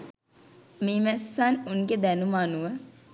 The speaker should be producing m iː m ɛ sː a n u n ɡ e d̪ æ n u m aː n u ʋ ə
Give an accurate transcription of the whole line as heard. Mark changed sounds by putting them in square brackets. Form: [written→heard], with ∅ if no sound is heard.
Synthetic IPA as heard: m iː m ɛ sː a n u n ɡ e d̪ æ n u m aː n u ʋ ə